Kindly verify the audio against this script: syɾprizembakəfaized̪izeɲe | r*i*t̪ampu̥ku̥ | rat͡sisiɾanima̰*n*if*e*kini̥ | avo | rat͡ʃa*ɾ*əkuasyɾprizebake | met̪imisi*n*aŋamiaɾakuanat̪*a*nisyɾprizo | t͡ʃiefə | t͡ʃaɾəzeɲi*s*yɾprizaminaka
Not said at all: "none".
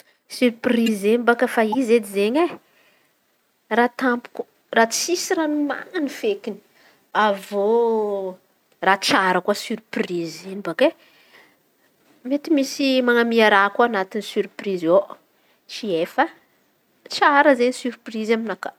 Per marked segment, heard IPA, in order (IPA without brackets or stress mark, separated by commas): a, n, e, ɾ, m, i, s